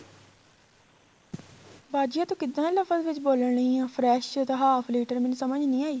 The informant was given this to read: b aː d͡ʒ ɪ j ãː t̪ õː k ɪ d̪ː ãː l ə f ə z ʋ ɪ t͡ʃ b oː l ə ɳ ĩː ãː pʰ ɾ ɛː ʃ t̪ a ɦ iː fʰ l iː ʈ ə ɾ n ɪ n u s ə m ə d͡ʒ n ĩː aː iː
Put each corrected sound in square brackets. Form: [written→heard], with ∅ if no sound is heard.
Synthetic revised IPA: b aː d͡ʒ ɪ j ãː t̪ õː k ɪ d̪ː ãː l ə f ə z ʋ ɪ t͡ʃ b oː l ə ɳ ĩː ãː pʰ ɾ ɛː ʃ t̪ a ɦ [iː→aː] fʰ l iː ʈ ə ɾ [n→m] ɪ n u s ə m ə d͡ʒ n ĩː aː iː